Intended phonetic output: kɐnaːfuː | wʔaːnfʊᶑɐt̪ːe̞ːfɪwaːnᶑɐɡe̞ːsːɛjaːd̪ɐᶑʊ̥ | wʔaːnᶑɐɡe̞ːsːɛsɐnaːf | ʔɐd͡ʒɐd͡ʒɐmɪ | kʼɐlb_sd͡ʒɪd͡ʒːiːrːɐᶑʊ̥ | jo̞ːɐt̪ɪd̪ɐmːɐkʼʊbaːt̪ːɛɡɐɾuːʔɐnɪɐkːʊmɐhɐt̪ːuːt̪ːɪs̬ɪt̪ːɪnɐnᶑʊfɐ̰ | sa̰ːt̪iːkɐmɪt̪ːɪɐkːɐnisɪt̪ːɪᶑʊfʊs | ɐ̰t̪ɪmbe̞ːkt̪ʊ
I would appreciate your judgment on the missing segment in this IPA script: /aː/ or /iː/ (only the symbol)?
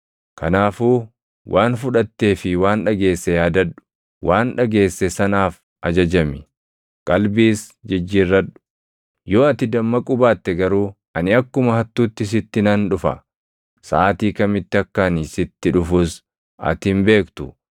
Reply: iː